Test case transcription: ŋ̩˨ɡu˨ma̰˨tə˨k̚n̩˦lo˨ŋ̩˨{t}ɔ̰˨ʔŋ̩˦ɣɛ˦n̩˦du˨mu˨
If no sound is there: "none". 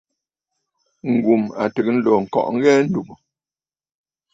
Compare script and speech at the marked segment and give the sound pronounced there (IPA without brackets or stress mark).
k